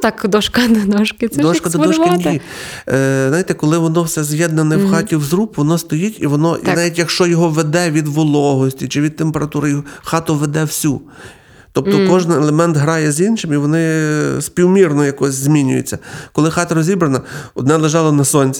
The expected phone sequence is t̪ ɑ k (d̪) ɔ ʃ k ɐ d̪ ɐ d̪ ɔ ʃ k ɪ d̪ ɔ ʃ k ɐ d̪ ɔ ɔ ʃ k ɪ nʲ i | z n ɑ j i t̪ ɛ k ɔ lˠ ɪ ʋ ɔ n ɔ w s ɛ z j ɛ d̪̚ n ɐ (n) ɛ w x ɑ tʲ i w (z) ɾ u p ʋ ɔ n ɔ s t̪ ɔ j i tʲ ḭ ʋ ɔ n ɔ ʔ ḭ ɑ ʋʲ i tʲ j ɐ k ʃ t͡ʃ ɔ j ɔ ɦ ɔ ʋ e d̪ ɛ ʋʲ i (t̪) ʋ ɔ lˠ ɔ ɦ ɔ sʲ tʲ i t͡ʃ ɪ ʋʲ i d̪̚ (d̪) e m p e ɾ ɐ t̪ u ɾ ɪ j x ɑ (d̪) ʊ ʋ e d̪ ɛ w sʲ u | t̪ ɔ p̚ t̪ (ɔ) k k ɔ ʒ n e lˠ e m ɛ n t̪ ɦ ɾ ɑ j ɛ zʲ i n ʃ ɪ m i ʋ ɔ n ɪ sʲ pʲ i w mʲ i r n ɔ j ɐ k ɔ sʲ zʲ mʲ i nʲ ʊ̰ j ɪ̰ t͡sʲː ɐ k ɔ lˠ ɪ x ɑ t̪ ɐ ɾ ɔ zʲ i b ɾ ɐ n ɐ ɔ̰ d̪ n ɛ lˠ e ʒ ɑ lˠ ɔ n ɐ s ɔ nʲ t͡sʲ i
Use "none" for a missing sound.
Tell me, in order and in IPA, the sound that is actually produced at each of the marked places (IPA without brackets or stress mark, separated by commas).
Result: d̪, n, z, d̪, t̪, t̪, ɔ